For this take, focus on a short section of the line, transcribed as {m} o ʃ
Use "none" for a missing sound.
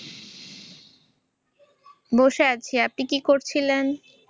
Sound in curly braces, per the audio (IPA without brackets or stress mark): b